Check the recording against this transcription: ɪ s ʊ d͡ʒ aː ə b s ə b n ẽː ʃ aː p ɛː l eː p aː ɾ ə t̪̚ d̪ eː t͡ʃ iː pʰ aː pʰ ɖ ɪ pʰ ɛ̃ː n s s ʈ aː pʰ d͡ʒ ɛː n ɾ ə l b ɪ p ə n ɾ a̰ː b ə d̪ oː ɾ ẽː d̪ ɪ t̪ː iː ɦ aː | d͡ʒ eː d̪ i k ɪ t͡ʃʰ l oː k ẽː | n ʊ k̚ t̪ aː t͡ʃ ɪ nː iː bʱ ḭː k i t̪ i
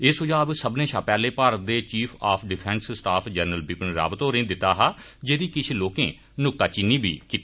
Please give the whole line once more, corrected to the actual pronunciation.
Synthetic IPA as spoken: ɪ s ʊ d͡ʒ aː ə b s ə b n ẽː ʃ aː p ɛː l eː p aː ɾ ə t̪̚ d̪ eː t͡ʃ iː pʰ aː pʰ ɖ ɪ pʰ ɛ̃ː n s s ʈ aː pʰ d͡ʒ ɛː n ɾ ə l b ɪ p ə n ɾ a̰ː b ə t̪ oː ɾ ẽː d̪ ɪ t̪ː aː ɦ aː | d͡ʒ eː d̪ iː k ɪ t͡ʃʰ l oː k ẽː | n ʊ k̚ t̪ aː t͡ʃ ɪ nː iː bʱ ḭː k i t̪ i

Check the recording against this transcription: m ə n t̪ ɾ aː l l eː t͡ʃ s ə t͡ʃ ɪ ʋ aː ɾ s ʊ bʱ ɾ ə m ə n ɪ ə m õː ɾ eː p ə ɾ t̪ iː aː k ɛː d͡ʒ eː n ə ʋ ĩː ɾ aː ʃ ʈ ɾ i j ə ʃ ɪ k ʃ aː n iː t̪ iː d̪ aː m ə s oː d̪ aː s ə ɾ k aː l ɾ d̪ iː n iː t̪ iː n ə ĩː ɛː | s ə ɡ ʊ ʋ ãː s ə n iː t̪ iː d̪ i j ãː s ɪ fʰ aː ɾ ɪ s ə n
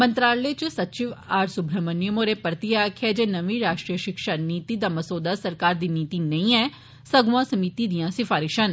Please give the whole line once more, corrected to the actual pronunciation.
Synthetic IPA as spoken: m ə n t̪ ɾ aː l l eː t͡ʃ s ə t͡ʃ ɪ ʋ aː ɾ s ʊ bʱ ɾ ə m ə n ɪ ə m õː ɾ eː p ə ɾ t̪ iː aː kʰ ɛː d͡ʒ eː n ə ʋ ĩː ɾ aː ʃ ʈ ɾ i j ə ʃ ɪ k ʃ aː n iː t̪ iː d̪ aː m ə s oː d̪ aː s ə ɾ k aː ɾ d̪ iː n iː t̪ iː n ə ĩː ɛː | s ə ɡ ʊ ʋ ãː s ə m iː t̪ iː d̪ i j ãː s ɪ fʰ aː ɾ ɪ ʃ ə n

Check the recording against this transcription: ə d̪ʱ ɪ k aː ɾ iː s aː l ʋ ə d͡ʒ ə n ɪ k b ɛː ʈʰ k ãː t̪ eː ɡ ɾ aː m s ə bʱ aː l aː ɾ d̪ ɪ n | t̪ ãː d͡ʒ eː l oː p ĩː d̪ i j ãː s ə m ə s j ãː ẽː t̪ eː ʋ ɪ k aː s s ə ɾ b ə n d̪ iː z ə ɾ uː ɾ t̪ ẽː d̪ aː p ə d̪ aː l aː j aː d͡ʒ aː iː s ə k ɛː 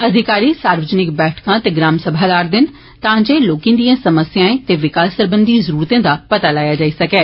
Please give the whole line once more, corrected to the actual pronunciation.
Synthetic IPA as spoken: ə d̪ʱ ɪ k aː ɾ iː s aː ɾ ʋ ə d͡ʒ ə n ɪ k b ɛː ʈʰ k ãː t̪ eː ɡ ɾ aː m s ə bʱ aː l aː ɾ d̪ ɪ n | t̪ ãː d͡ʒ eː l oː k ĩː d̪ i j ãː s ə m ə s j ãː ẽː t̪ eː ʋ ɪ k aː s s ə ɾ b ə n d̪ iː z ə ɾ uː ɾ t̪ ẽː d̪ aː p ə t̪ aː l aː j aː d͡ʒ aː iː s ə k ɛː

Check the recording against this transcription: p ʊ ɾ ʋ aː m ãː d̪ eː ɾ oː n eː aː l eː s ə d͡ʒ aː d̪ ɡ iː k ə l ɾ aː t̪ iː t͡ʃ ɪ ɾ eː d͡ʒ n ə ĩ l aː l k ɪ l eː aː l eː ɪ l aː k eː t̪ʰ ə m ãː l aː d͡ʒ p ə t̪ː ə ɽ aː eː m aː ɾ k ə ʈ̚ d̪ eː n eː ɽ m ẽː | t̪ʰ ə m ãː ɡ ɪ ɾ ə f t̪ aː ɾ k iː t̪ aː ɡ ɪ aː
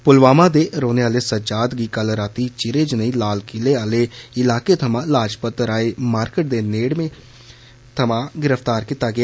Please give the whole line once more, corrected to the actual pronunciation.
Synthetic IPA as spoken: p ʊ l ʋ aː m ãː d̪ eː ɾ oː n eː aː l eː s ə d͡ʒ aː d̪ ɡ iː k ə l ɾ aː t̪ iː t͡ʃ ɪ ɾ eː d͡ʒ n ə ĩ l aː l k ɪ l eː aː l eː ɪ l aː k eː t̪ʰ ə m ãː l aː d͡ʒ p ə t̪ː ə ɾ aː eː m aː ɾ k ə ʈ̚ d̪ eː n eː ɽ m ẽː | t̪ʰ ə m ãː ɡ ɪ ɾ ə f t̪ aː ɾ k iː t̪ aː ɡ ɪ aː

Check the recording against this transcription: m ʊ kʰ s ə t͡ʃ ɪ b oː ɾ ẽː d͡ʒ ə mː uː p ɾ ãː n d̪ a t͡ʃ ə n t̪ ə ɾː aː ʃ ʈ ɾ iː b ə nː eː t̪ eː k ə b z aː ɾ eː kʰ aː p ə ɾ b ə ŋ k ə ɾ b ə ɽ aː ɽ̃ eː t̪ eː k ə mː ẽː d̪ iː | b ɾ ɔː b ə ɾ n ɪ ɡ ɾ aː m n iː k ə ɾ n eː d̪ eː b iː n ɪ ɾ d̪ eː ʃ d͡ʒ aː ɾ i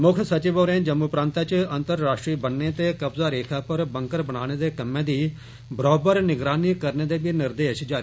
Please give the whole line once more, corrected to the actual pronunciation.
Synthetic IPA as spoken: m ʊ kʰ s ə t͡ʃ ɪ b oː ɾ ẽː d͡ʒ ə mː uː p ɾ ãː n t̪ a t͡ʃ ə n t̪ ə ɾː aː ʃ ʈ ɾ iː b ə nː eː t̪ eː k ə b z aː ɾ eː kʰ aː p ə ɾ b ə ŋ k ə ɾ b ə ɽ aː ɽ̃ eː d̪ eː k ə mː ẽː d̪ iː | b ɾ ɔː b ə ɾ n ɪ ɡ ɾ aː n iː k ə ɾ n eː d̪ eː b iː n ɪ ɾ d̪ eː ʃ d͡ʒ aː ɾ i

